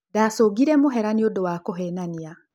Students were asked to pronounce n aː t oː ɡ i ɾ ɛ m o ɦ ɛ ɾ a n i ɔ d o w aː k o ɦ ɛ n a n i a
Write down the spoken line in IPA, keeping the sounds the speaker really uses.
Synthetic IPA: d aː s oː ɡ i ɾ ɛ m o ɦ ɛ ɾ a n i o d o w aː k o ɦ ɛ n a n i a